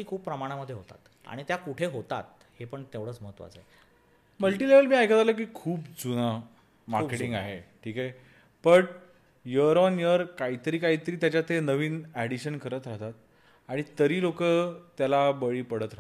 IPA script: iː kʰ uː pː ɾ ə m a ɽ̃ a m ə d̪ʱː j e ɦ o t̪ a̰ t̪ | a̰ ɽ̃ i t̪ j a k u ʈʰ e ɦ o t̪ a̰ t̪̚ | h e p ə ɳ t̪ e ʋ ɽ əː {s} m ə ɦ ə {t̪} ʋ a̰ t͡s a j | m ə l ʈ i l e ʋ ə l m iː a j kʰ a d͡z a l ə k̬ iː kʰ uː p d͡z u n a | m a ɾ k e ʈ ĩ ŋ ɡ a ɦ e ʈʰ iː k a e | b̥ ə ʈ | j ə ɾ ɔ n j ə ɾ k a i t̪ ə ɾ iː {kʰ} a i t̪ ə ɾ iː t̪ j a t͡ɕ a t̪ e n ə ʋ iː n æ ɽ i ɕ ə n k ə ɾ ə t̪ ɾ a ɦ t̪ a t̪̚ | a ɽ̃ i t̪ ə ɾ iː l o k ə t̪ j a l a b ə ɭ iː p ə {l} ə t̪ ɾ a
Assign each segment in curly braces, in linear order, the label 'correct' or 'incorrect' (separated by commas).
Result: incorrect, correct, incorrect, incorrect